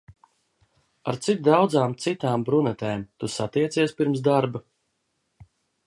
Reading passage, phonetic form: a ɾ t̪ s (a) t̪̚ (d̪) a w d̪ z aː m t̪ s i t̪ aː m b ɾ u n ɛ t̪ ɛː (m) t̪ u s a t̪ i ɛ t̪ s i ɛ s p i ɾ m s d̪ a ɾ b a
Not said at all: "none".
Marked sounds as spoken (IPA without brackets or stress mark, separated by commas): i, d̪, m